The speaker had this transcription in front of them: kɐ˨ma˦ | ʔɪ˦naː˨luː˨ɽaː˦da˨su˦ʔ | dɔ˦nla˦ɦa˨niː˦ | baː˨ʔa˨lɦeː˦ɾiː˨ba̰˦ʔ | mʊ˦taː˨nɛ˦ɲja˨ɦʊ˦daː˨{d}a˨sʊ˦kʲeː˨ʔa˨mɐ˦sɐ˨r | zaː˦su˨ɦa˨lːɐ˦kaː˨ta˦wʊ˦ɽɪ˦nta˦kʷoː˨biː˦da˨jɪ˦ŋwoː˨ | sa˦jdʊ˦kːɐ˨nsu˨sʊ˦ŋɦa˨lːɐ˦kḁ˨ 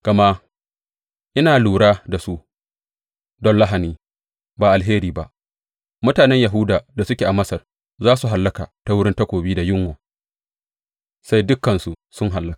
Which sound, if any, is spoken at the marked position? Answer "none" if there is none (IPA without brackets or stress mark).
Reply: d